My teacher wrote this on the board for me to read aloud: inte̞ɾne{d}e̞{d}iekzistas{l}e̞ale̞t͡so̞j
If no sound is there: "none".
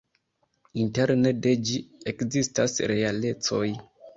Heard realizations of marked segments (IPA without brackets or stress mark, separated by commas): d, d͡ʒ, ɾ